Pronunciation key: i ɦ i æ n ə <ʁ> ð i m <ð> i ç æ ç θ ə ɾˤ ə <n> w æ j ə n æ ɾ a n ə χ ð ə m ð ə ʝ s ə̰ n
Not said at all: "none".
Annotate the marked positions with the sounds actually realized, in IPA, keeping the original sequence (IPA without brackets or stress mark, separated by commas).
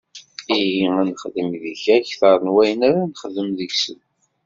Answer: χ, ð, n